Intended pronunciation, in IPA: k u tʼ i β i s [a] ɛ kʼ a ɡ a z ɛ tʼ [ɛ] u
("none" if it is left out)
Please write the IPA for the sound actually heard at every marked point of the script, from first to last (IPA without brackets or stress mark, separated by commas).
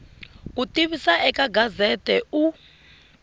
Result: a, ɛ